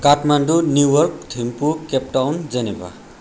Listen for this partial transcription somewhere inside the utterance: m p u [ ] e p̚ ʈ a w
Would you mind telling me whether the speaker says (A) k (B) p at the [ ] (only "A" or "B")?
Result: A